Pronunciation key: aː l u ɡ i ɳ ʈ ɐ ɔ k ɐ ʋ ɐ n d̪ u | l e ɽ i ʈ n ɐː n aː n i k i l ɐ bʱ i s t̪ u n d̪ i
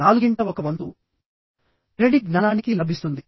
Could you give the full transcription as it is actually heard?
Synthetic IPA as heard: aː l u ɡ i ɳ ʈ ɐ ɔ k ɐ ʋ ɐ n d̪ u | ɾ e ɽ i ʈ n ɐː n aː n i k i l ɐ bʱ i s t̪ u n d̪ i